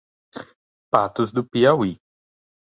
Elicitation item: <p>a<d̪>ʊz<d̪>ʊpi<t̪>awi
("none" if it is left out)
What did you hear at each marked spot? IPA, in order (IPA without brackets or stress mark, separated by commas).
p, t̪, d̪, none